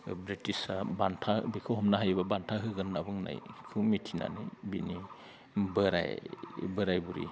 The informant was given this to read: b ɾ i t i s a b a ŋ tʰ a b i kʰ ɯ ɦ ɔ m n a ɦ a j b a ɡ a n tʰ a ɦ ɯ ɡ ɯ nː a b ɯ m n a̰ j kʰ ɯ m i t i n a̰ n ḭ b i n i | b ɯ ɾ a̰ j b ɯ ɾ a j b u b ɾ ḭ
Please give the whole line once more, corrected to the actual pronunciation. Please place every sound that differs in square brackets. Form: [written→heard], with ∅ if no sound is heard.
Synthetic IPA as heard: b ɾ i t i s a b a [ŋ→n] tʰ a b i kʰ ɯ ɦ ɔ m n a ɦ a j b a [ɡ→b] a n tʰ a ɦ ɯ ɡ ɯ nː a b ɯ [m→ŋ] n a̰ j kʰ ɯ m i [t→tʰ] i n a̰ n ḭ b i n i | b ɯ ɾ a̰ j b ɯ ɾ a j b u [b→∅] ɾ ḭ